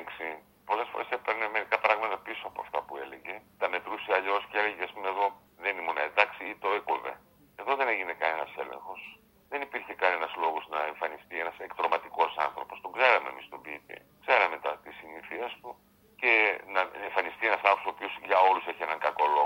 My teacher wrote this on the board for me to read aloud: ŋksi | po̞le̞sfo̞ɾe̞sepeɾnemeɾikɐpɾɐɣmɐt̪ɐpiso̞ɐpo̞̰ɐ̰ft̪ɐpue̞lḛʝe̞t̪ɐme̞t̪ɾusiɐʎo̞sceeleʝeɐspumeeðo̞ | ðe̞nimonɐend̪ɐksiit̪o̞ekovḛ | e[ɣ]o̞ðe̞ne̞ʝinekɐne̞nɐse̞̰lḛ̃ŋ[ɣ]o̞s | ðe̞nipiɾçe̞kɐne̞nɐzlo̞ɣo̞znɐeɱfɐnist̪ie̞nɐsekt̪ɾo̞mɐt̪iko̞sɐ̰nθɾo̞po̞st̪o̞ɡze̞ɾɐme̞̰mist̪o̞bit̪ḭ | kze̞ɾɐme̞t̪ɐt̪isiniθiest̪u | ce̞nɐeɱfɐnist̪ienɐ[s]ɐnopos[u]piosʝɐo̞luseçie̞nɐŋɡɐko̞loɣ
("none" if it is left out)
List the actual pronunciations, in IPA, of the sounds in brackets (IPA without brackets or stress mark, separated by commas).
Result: ð, x, s, o